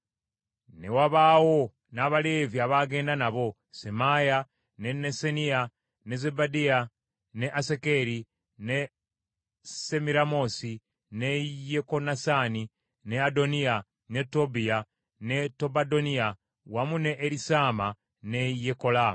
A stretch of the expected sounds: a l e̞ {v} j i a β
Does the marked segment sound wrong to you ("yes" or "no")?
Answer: no